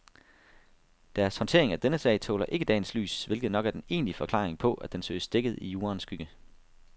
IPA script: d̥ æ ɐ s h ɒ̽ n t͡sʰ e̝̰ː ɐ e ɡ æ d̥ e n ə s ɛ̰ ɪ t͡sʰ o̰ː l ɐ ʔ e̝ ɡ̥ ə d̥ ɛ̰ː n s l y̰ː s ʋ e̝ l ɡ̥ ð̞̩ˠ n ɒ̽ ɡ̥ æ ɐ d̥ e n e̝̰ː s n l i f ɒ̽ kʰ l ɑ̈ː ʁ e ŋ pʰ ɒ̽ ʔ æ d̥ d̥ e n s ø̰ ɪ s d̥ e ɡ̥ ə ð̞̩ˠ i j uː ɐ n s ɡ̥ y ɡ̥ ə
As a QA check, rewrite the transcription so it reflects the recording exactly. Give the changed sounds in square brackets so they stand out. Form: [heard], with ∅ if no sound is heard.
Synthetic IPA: d̥ æ ɐ s h ɒ̽ n t͡sʰ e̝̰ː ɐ e [ŋ] æ d̥ e n ə s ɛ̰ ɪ t͡sʰ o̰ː l ɐ ʔ e̝ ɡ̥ ə d̥ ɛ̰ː n s l y̰ː s ʋ e̝ l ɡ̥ ð̞̩ˠ n ɒ̽ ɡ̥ æ ɐ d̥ e n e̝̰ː [∅] n l i f ɒ̽ kʰ l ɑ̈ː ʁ e ŋ pʰ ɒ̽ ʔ æ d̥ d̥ e n s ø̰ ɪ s d̥ e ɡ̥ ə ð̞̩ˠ i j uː ɐ n s ɡ̥ y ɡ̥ ə

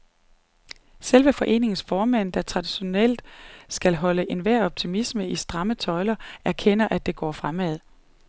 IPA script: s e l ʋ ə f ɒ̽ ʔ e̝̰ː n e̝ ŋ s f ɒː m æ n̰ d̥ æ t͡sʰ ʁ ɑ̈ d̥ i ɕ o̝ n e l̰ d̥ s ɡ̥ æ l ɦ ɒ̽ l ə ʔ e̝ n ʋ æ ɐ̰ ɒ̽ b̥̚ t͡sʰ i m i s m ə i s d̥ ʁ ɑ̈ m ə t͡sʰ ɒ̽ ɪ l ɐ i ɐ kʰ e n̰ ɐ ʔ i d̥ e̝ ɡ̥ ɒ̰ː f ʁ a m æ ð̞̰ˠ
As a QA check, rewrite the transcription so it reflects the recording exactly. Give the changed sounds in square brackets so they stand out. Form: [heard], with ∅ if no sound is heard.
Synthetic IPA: s e l ʋ ə f ɒ̽ ʔ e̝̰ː n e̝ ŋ s f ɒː m æ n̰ d̥ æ t͡sʰ ʁ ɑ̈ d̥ i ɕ o̝ n e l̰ d̥ s ɡ̥ æ l ɦ ɒ̽ l ə ʔ e̝ n ʋ æ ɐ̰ ɒ̽ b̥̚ t͡sʰ i m i s m ə i s d̥ ʁ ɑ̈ m ə t͡sʰ ɒ̽ ɪ l ɐ [æ] ɐ kʰ e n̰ ɐ ʔ [æ] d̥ e̝ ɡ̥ ɒ̰ː f ʁ a m æ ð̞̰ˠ

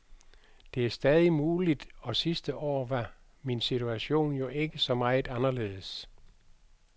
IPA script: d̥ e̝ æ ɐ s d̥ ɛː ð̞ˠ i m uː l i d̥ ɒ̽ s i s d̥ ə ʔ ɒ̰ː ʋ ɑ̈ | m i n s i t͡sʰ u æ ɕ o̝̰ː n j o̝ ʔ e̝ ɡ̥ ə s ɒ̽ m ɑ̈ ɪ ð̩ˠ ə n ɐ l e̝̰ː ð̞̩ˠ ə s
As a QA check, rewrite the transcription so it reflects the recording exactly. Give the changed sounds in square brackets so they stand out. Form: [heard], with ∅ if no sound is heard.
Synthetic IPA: d̥ e̝ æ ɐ s d̥ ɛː ð̞ˠ i m uː l i d̥ ɒ̽ s i s d̥ ə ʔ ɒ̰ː ʋ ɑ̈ | m i n s i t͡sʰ u æ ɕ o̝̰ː n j o̝ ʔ e̝ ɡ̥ ə s ɒ̽ m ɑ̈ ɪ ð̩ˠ [ɑ] n ɐ l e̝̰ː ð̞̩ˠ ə s

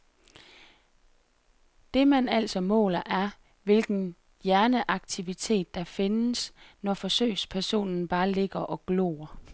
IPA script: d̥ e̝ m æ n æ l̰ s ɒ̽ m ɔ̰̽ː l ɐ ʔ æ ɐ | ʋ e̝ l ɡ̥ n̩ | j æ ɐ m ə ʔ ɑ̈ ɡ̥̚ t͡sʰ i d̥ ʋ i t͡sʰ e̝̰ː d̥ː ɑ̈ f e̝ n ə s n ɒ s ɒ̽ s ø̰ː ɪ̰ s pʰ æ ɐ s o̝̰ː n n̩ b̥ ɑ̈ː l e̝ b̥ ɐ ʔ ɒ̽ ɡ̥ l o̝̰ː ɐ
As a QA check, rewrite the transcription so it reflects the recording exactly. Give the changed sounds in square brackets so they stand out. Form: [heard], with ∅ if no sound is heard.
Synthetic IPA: d̥ e̝ m æ n æ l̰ s ɒ̽ m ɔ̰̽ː l ɐ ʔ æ ɐ | ʋ e̝ l ɡ̥ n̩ | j æ ɐ [n] ə ʔ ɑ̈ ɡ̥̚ t͡sʰ i [∅] ʋ i t͡sʰ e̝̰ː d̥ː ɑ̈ f e̝ n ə s n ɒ [f] ɒ̽ s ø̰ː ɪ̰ s pʰ æ ɐ s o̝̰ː n n̩ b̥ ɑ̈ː l e̝ [ɡ̥] ɐ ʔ ɒ̽ ɡ̥ l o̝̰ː ɐ

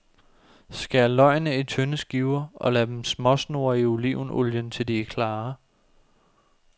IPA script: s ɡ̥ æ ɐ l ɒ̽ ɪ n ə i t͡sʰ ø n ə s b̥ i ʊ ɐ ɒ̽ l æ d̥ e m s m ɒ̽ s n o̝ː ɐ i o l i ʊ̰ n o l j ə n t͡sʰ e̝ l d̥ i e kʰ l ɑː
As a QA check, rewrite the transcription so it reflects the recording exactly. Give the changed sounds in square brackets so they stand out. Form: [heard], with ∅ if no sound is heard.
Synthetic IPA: s ɡ̥ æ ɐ l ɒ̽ ɪ n ə i t͡sʰ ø n ə s [ɡ̥] i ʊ ɐ ɒ̽ l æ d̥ e m s m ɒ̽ s n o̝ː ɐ i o l i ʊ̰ n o l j ə n t͡sʰ e̝ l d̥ i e kʰ l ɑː

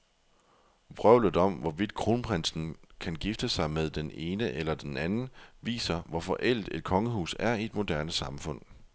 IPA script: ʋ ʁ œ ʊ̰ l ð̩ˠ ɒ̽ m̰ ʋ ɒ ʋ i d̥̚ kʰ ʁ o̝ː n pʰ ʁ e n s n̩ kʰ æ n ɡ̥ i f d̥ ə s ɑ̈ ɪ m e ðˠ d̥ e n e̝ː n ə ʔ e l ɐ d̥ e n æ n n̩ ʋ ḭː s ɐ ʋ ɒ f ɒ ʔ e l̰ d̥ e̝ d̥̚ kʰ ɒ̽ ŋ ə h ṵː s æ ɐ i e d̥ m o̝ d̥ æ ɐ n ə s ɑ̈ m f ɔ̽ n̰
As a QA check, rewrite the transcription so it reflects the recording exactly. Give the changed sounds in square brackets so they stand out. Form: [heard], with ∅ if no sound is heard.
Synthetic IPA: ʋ ʁ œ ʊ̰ l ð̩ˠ ɒ̽ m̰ ʋ ɒ ʋ i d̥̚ kʰ ʁ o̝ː n pʰ ʁ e n s n̩ kʰ æ n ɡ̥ i f d̥ ə s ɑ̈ ɪ m e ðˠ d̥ e n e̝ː n ə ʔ e l ɐ d̥ e n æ n n̩ ʋ ḭː s ɐ ʋ ɒ f ɒ ʔ e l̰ d̥ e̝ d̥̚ kʰ ɒ̽ ŋ ə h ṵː s æ ɐ i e d̥ m o̝ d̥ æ ɐ n ə s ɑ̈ m f ɔ̽ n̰

